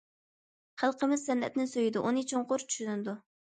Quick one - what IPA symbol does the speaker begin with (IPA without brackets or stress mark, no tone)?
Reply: χ